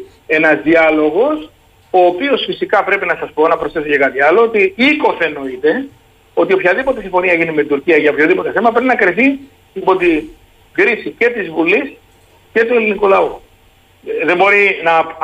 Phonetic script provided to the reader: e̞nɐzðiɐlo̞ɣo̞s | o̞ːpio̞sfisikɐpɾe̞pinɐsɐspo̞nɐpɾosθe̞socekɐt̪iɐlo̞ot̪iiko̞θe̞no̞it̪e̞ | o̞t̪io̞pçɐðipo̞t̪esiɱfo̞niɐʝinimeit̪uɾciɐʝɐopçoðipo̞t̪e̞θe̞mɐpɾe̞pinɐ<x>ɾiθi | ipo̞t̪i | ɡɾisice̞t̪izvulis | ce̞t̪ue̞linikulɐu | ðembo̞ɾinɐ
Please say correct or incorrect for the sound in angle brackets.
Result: incorrect